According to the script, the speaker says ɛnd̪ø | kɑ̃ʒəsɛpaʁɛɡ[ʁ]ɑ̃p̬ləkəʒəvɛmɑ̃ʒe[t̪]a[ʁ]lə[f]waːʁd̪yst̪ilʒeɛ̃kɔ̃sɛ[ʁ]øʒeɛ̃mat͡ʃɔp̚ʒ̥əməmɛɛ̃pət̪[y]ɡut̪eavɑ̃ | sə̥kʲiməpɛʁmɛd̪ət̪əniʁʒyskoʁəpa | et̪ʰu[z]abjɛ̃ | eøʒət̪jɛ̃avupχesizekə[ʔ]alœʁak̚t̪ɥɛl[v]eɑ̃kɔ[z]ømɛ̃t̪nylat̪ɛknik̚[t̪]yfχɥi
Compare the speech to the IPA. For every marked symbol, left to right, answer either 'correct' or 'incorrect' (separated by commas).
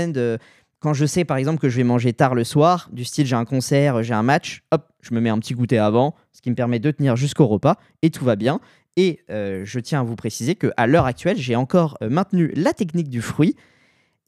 incorrect, correct, correct, incorrect, correct, incorrect, incorrect, correct, incorrect, incorrect, incorrect